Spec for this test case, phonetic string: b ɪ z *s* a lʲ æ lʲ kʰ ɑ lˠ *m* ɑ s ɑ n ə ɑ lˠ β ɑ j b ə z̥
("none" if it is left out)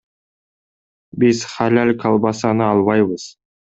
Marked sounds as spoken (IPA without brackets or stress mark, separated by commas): χ, b